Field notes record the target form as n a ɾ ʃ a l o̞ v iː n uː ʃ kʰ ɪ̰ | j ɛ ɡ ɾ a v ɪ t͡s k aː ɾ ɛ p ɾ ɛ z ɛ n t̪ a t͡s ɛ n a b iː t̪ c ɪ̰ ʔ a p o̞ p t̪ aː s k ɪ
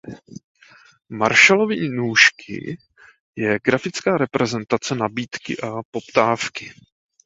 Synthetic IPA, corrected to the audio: m a ɾ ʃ a l o̞ v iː n uː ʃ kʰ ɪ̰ | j ɛ ɡ ɾ a f ɪ t͡s k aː ɾ ɛ p ɾ ɛ z ɛ n t̪ a t͡s ɛ n a b iː t̪ k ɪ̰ ʔ a p o̞ p t̪ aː f k ɪ